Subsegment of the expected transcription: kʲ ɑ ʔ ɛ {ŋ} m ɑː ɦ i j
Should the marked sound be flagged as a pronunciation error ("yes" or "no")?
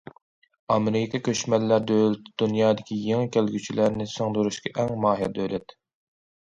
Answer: no